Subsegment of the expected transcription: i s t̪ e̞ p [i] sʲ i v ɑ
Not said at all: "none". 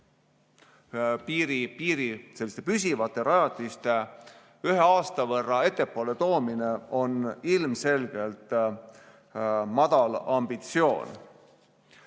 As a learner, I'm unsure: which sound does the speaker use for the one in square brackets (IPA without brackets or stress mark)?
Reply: y